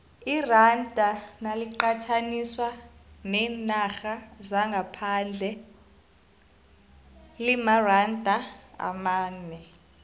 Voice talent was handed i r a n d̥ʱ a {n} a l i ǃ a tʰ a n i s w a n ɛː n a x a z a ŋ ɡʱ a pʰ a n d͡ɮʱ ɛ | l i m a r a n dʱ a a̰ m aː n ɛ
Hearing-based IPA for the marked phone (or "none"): n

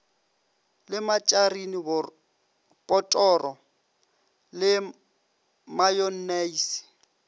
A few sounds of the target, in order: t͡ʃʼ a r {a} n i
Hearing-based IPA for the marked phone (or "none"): i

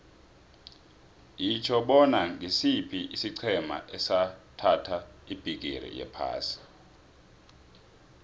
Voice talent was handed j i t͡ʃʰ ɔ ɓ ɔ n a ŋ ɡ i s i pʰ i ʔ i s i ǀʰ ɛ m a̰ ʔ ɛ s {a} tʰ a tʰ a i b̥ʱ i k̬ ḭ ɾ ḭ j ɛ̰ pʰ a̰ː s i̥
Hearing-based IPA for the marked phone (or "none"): a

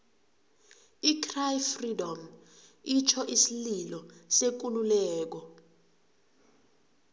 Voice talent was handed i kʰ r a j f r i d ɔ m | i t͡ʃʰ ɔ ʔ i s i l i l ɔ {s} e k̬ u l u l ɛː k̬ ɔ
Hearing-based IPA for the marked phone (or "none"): s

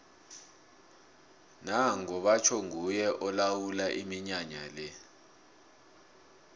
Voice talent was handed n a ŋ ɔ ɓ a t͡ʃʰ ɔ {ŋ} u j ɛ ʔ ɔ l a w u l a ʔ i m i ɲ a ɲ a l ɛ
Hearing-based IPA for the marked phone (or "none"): ŋ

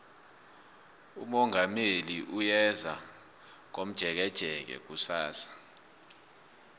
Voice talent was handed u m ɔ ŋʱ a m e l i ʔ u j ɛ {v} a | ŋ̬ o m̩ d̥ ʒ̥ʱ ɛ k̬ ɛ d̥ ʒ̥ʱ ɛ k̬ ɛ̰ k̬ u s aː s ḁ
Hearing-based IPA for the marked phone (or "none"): z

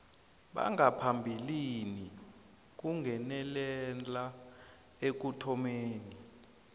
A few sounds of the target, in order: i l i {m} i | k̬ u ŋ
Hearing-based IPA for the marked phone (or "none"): n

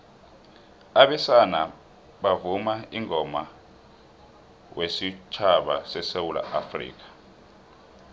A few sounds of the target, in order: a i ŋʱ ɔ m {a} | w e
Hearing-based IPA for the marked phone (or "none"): a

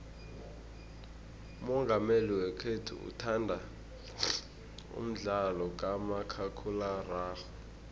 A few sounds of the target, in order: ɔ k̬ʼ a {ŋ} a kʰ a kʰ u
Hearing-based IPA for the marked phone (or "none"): m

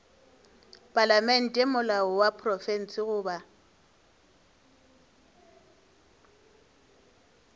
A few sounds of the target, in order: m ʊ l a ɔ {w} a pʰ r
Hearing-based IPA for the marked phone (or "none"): w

